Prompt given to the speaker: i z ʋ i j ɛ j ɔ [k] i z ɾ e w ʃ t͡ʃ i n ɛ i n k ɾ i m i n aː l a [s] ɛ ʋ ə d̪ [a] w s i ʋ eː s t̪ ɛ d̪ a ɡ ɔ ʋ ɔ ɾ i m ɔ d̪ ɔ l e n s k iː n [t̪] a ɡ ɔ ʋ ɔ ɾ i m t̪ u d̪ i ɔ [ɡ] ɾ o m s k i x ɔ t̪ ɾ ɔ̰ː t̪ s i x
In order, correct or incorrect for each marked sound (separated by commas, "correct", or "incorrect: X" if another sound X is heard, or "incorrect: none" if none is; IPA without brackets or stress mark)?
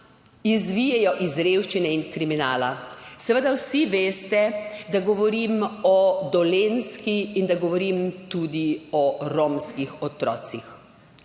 incorrect: ʔ, correct, correct, incorrect: d̪, incorrect: none